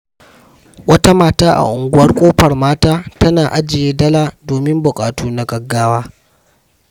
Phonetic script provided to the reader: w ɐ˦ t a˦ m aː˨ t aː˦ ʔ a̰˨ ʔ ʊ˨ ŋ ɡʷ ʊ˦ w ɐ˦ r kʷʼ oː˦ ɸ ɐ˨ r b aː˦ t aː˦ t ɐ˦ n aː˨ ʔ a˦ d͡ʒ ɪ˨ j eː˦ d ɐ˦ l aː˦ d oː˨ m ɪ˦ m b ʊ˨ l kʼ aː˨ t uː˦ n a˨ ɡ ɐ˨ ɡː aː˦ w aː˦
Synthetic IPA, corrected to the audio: w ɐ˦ t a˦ m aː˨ t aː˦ ʔ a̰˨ ʔ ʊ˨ ŋ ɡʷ ʊ˦ w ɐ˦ r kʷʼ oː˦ ɸ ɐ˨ r m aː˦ t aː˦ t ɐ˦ n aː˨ ʔ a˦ d͡ʒ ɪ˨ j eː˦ d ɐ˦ l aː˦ d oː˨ m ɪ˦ m b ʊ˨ kʼ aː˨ t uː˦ n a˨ ɡ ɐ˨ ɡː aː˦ w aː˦